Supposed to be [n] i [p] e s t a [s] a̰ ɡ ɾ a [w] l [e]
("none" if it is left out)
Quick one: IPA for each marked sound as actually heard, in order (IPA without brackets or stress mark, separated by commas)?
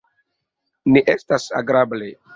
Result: n, ʔ, s, b, e